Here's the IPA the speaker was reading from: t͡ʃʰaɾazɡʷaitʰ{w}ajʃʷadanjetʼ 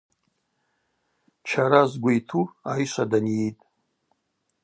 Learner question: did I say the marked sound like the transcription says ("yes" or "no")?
no